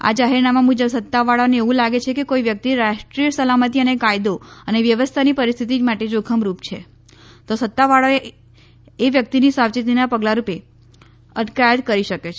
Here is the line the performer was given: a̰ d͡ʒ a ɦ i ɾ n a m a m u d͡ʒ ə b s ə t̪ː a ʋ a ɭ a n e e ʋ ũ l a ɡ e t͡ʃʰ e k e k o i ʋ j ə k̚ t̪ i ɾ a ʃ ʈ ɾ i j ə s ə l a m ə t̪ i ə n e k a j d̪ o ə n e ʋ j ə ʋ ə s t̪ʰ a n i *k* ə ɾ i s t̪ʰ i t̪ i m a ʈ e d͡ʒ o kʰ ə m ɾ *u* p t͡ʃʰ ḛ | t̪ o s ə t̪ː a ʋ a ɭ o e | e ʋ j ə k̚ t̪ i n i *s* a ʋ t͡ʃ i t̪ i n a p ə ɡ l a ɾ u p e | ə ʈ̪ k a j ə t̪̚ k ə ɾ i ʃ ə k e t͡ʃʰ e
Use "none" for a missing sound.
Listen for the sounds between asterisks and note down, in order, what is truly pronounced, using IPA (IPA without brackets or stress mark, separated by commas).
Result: p, u, s